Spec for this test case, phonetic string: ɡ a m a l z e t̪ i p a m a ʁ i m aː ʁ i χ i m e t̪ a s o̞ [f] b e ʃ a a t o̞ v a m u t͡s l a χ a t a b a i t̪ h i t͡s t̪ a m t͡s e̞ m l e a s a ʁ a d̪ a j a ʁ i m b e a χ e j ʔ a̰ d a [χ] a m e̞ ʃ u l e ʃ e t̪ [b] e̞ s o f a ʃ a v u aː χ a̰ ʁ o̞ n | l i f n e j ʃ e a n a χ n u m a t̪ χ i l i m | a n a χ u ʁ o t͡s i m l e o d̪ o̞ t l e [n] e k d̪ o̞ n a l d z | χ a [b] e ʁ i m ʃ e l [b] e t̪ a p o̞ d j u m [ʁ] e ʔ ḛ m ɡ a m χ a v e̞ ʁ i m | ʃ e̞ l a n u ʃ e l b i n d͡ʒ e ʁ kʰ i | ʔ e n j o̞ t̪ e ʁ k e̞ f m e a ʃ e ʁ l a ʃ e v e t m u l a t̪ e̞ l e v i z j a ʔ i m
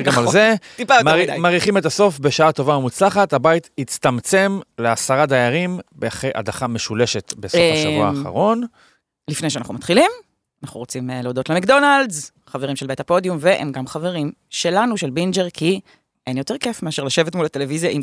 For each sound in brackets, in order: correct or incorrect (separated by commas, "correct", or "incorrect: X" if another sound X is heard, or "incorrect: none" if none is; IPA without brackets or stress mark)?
correct, correct, correct, incorrect: m, incorrect: v, correct, incorrect: v